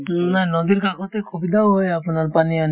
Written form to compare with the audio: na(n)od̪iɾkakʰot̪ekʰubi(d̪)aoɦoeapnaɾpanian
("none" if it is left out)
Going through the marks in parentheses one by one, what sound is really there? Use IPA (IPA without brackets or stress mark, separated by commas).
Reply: n, d̪